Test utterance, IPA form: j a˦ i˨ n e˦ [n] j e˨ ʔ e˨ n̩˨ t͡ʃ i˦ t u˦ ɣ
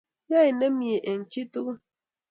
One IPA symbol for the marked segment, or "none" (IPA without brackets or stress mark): m